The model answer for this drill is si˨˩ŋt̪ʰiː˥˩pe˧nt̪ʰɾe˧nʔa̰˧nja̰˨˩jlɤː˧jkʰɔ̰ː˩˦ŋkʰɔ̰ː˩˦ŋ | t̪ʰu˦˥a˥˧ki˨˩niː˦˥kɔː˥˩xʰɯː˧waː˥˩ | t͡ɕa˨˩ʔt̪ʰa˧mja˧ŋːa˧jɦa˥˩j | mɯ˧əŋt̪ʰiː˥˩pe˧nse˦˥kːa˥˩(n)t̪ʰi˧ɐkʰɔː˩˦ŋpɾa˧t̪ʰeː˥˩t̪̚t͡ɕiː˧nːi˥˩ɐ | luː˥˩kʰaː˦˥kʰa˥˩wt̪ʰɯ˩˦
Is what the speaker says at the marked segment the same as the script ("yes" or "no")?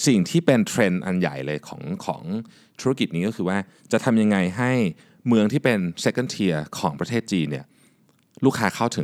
yes